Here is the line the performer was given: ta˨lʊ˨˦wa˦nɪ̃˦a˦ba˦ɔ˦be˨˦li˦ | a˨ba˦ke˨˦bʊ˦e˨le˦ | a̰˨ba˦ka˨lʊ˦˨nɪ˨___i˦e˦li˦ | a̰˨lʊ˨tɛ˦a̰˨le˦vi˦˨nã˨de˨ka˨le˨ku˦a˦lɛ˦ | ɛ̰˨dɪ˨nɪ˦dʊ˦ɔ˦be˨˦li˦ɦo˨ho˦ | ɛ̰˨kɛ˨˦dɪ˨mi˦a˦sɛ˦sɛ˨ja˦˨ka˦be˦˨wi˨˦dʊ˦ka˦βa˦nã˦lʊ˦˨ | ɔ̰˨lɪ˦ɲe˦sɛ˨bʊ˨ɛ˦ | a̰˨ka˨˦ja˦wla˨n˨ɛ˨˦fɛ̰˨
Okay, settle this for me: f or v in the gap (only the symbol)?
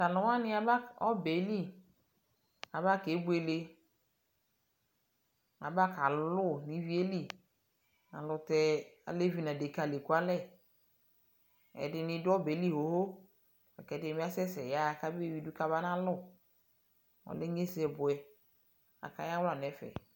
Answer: v